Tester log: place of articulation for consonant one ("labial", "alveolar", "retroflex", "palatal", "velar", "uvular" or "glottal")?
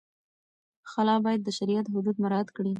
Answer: velar